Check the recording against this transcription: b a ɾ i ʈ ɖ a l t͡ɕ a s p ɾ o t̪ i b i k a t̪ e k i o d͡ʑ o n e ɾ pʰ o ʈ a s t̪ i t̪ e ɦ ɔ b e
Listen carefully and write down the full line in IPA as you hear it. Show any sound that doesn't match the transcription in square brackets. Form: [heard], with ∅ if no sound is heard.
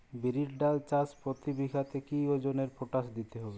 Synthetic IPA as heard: b [i] ɾ i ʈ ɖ a l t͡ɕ a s p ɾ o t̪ i b i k a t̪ e k i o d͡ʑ o n e ɾ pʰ o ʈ a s [d̪] i t̪ e ɦ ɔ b e